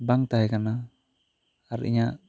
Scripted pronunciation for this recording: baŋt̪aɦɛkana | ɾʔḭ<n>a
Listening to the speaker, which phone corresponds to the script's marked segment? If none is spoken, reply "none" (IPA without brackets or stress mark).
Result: ɲ